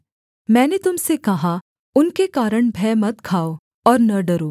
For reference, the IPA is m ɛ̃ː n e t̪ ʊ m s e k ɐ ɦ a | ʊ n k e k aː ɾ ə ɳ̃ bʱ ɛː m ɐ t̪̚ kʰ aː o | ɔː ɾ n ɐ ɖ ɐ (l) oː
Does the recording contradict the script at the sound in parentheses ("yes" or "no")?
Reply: yes